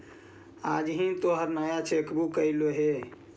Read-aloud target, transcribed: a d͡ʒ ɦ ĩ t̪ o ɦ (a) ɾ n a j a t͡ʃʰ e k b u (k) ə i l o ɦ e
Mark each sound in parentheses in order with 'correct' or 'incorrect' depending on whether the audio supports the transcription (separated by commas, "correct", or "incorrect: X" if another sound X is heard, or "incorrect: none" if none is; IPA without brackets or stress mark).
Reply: incorrect: ə, correct